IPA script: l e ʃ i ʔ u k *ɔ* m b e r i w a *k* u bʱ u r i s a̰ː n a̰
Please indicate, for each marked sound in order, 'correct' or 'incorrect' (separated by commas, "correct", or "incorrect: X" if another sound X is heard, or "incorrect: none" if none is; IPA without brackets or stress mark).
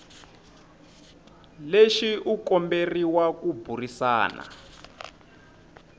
correct, correct